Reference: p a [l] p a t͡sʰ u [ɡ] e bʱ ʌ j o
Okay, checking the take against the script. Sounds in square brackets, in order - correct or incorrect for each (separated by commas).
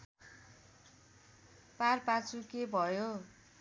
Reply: incorrect, incorrect